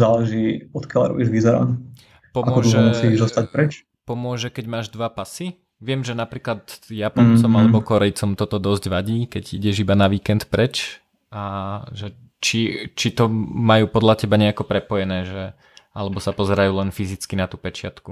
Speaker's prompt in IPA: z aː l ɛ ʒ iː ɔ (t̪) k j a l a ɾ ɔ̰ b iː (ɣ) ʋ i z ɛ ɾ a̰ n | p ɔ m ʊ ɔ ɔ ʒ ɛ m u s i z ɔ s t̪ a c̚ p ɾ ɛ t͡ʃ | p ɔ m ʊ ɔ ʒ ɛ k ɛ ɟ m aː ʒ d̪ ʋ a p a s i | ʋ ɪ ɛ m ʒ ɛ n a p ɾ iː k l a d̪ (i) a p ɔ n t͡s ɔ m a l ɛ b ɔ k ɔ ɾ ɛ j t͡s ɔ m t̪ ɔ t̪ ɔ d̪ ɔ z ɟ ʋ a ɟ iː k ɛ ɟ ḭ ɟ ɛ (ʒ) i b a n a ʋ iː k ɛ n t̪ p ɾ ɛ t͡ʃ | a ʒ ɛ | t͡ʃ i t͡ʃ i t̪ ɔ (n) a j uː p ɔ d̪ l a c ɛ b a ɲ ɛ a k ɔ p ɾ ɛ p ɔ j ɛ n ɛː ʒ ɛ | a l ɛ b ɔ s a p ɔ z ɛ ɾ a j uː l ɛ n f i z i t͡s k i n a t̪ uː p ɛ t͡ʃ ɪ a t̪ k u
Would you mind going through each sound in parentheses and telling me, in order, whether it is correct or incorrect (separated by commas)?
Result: correct, incorrect, incorrect, correct, incorrect